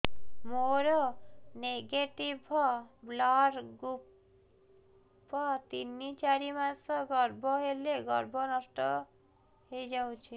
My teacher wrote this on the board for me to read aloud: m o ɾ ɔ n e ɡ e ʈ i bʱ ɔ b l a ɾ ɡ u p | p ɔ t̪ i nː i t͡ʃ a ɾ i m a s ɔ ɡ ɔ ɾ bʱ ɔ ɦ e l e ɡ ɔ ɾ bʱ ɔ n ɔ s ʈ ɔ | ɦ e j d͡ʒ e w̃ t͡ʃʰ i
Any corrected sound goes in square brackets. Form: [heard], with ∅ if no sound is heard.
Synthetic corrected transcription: m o ɾ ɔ n e ɡ e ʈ i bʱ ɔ b l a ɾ ɡ u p | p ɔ t̪ i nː i t͡ʃ a ɾ i m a s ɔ ɡ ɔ ɾ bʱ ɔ ɦ e l e ɡ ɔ ɾ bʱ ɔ n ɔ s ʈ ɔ | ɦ e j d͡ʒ [a] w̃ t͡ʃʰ i